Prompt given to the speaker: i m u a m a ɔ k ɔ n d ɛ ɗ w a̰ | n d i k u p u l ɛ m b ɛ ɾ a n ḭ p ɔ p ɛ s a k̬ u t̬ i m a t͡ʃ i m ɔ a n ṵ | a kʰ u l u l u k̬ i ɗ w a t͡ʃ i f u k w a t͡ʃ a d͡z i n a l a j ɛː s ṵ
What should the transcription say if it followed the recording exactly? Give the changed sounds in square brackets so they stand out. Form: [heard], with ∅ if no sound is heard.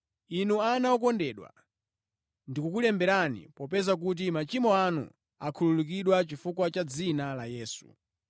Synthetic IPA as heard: i [n] u a [n] a ɔ k ɔ n d ɛ ɗ w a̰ | n d i k u [k] u l ɛ m b ɛ ɾ a n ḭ p ɔ p ɛ [z] a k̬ u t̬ i m a t͡ʃ i m ɔ a n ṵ | a kʰ u l u l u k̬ i ɗ w a t͡ʃ i f u k w a t͡ʃ a d͡z i n a l a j ɛː s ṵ

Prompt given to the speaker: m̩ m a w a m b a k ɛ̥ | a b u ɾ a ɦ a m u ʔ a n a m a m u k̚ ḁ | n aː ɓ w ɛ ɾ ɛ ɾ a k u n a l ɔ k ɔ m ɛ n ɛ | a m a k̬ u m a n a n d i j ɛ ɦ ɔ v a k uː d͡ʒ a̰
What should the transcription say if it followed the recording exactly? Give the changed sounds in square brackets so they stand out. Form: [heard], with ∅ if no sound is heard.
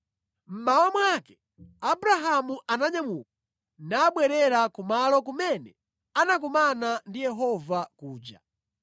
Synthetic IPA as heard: m̩ m a w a m [w] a k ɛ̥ | a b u ɾ a ɦ a m u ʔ a n a [ɲ] a m u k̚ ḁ | n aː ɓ w ɛ ɾ ɛ ɾ a k u [m] a l ɔ k [u] m ɛ n ɛ | a [n] a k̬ u m a n a n d i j ɛ ɦ ɔ v a k uː d͡ʒ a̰

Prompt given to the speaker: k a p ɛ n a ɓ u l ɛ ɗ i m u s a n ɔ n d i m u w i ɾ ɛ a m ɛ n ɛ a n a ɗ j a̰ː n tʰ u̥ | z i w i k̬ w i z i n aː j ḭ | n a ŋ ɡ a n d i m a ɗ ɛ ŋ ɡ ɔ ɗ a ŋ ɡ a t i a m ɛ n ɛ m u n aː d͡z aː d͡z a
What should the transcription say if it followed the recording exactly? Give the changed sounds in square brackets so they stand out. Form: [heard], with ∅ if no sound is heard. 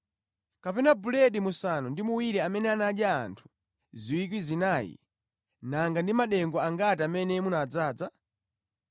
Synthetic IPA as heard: k a p ɛ n a [b] u l ɛ ɗ i m u s a n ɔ n d i m u w i ɾ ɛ a m ɛ n ɛ a n a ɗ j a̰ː n tʰ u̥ | z i w i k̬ w i z i n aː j ḭ | n a ŋ ɡ a n d i m a ɗ ɛ ŋ ɡ ɔ [∅] a ŋ ɡ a t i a m ɛ n ɛ m u n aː d͡z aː d͡z a

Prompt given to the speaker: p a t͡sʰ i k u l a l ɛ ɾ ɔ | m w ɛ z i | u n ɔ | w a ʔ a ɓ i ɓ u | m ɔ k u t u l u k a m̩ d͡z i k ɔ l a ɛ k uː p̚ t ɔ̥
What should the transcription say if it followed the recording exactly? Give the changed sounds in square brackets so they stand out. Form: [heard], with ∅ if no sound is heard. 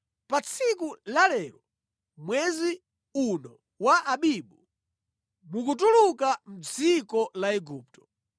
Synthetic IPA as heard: p a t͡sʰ i k u l a l ɛ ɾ ɔ | m w ɛ z i | u n ɔ | w a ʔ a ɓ i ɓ u | m [u] k u t u l u k a m̩ d͡z i k ɔ l a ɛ [ɡ] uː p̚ t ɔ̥

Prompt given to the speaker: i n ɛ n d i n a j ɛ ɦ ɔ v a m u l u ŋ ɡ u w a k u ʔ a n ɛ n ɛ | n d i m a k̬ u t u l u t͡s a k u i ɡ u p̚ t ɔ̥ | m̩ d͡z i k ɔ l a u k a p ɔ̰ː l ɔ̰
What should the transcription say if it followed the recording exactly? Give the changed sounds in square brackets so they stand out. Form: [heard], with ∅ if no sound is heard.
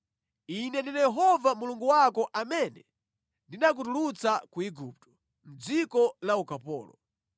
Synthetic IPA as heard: i n ɛ n d i n a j ɛ ɦ ɔ v a m u l u ŋ ɡ u w a k [ɔ] ʔ a [m] ɛ n ɛ | n d i [n] a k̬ u t u l u t͡s a k u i ɡ u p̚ t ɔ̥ | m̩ d͡z i k ɔ l a u k a p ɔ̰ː l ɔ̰

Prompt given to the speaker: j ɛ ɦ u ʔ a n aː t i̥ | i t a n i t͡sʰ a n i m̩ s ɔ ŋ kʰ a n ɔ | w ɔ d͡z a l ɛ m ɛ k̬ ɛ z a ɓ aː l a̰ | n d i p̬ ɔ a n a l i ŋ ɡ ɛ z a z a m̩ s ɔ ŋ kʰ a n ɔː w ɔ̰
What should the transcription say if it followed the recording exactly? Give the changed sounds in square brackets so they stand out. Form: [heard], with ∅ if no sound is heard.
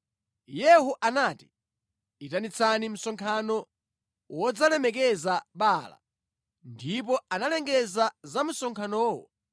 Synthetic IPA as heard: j ɛ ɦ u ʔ a n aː t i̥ | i t a n i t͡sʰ a n i m̩ s ɔ ŋ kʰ a n ɔ | w ɔ d͡z a l ɛ m ɛ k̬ ɛ z a ɓ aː l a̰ | n d i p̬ ɔ a n a l [ɛ] ŋ ɡ ɛ z a z a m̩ s ɔ ŋ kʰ a n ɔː w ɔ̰

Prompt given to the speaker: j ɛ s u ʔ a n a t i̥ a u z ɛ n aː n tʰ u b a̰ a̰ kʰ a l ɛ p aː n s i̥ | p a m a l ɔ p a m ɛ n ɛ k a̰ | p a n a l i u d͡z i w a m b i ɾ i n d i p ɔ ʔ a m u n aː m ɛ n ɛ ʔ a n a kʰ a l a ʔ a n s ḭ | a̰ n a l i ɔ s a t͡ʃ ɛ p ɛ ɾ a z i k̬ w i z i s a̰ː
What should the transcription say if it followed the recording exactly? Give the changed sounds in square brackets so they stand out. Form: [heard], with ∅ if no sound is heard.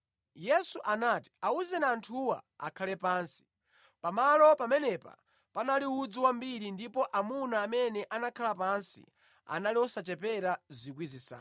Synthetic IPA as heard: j ɛ s u ʔ a n a t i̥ a u z ɛ n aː n tʰ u [w] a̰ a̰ kʰ a l ɛ p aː n s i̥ | p a m a l ɔ p a m ɛ n ɛ [p] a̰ | p a n a l i u d͡z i w a m b i ɾ i n d i p ɔ ʔ a m u n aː m ɛ n ɛ ʔ a n a kʰ a l a [p] a n s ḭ | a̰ n a l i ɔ s a t͡ʃ ɛ p ɛ ɾ a z i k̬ w i z i s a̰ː

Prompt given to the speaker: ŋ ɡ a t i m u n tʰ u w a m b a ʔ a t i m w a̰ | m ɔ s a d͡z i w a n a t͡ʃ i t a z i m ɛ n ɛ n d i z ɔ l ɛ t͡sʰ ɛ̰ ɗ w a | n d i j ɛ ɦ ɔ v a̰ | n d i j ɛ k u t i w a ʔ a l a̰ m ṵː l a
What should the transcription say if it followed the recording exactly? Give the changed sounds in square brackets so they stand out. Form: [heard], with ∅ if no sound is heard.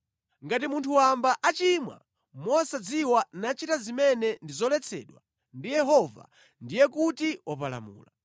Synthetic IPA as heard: ŋ ɡ a t i m u n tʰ u w a m b a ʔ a [t͡ʃ] i m w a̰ | m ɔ s a d͡z i w a n a t͡ʃ i t a z i m ɛ n ɛ n d i z ɔ l ɛ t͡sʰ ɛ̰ ɗ w a | n d i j ɛ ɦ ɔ v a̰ | n d i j ɛ k u t i w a [p] a l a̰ m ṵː l a

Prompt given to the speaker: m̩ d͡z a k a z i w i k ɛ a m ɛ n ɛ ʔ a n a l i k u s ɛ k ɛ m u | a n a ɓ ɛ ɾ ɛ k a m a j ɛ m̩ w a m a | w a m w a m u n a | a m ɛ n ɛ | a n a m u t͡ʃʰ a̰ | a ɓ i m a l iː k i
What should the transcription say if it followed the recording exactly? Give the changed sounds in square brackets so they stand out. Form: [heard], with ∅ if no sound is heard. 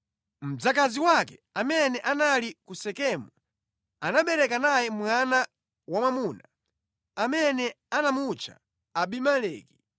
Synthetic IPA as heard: m̩ d͡z a k a z i w [a] k ɛ a m ɛ n ɛ ʔ a n a l i k u s ɛ k ɛ m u | a n a ɓ ɛ ɾ ɛ k a [n] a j ɛ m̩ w a [n] a | w a m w a m u n a | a m ɛ n ɛ | a n a m u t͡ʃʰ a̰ | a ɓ i m a l [ɛː] k i

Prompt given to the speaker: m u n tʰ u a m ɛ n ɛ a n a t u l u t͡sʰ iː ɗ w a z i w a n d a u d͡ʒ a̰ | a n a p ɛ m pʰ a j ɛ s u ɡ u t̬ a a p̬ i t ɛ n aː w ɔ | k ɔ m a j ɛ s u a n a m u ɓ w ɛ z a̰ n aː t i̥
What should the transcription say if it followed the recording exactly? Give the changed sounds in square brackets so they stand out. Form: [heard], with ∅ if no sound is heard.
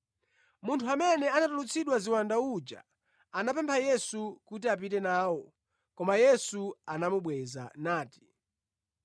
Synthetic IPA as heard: m u n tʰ u a m ɛ n ɛ a n a t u l u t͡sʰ [i] ɗ w a z i w a n d a u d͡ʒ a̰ | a n a p ɛ m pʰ a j ɛ s u [k] u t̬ [i] a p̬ i t ɛ n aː w ɔ | k ɔ m a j ɛ s u a n a m u ɓ w ɛ z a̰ n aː t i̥

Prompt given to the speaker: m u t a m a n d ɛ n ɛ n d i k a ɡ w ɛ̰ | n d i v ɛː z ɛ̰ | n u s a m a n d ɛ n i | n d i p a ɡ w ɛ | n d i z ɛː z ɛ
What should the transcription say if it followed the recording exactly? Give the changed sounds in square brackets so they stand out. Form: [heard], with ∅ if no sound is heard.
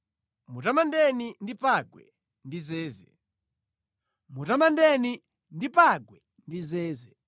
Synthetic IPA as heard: m u t a m a n d ɛ n [i] n d i [p] a ɡ w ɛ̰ | n d i [z] ɛː z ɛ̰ | [m] u [t] a m a n d ɛ n i | n d i p a ɡ w ɛ | n d i z ɛː z ɛ

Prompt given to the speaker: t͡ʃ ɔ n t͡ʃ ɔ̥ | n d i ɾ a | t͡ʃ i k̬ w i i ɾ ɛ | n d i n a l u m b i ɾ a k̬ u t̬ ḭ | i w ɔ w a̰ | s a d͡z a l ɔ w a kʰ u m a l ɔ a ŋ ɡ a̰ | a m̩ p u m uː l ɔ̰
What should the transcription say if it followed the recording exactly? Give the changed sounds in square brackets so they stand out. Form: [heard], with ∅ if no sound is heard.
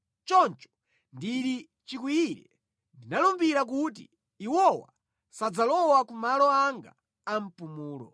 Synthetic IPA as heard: t͡ʃ ɔ n t͡ʃ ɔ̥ | n d i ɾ [i] | t͡ʃ i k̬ w i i ɾ ɛ | n d i n a l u m b i ɾ a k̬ u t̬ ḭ | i w ɔ w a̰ | s a d͡z a l ɔ w a [k] u m a l ɔ a ŋ ɡ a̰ | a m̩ p u m uː l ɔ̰

